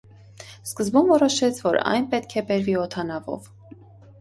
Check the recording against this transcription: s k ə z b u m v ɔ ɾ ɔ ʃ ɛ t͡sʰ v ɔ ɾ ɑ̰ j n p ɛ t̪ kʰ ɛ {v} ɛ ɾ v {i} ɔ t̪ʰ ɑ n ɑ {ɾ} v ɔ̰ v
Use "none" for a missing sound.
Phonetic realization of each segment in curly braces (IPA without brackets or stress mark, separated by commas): b, i, none